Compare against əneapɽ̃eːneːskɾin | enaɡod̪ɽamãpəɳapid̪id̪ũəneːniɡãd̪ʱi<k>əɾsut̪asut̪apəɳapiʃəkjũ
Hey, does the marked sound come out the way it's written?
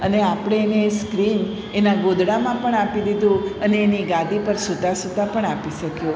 no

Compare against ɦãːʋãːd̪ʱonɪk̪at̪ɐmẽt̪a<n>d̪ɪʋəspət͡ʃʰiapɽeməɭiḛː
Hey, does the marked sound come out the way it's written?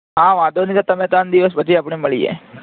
yes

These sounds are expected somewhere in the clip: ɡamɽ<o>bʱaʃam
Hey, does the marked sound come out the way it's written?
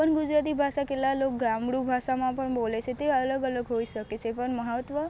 no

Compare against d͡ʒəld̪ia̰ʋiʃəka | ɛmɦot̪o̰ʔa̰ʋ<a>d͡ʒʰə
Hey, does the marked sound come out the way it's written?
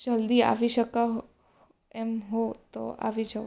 no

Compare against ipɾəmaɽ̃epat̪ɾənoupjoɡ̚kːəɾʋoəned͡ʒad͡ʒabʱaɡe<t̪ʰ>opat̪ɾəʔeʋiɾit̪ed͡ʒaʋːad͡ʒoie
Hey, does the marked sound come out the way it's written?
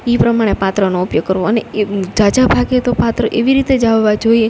no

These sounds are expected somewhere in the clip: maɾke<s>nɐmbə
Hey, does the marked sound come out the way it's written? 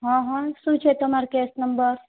yes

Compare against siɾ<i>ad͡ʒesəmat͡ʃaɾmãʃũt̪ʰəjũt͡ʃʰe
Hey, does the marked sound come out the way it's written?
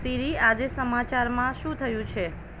yes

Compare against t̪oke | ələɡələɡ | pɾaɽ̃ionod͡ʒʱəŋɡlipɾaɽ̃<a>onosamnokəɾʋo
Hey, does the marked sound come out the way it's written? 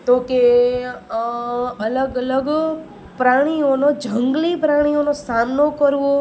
no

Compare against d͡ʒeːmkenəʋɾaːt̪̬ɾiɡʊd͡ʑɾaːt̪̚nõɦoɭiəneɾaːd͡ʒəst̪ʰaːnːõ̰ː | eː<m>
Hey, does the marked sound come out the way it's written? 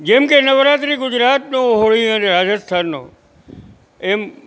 yes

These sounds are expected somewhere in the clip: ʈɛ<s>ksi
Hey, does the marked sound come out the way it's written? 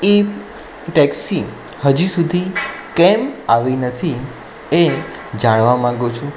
no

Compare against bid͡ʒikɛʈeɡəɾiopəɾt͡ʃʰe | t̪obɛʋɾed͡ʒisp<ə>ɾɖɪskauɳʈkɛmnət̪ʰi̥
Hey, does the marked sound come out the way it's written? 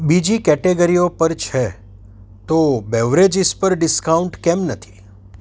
yes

